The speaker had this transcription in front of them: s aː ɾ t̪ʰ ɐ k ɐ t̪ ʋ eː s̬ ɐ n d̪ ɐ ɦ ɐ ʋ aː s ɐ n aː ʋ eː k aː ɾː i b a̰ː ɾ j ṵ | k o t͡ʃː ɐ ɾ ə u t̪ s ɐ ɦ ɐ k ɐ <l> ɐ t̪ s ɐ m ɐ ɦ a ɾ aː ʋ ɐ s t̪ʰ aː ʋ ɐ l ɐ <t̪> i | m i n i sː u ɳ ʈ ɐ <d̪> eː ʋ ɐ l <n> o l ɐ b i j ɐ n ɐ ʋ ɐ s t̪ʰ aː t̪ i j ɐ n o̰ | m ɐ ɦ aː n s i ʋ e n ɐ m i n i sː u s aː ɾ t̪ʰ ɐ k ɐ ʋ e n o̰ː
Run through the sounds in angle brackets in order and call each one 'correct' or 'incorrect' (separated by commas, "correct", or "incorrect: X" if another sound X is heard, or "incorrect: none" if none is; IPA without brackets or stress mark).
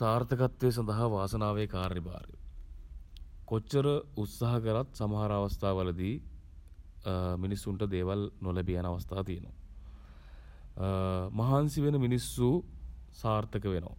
incorrect: ɾ, incorrect: d̪, correct, correct